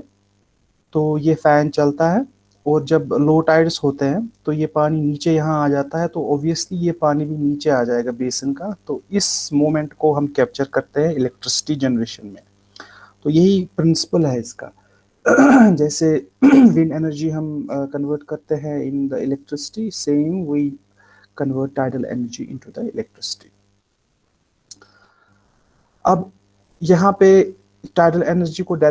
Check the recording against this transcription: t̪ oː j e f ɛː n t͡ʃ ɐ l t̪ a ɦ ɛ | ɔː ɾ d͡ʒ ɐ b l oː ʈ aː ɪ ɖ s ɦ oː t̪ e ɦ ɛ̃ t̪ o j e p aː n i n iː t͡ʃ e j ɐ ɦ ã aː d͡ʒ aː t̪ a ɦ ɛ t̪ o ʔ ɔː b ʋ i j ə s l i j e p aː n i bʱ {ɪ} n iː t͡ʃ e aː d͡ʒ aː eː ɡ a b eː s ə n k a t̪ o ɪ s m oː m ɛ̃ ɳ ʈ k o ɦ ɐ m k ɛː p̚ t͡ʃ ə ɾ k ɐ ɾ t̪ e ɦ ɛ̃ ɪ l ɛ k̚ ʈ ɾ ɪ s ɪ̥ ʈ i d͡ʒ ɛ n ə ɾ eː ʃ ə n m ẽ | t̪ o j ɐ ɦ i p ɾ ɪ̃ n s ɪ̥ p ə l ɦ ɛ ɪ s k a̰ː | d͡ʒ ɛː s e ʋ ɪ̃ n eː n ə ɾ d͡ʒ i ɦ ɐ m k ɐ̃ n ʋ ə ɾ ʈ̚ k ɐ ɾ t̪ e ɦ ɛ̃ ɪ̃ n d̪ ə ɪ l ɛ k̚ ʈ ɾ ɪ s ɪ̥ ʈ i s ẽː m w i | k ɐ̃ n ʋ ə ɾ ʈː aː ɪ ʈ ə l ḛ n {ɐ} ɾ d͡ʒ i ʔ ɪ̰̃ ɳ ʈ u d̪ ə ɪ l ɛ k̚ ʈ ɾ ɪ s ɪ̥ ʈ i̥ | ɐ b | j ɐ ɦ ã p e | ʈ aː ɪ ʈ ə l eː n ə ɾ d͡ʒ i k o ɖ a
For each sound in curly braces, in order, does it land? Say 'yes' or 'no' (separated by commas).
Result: no, no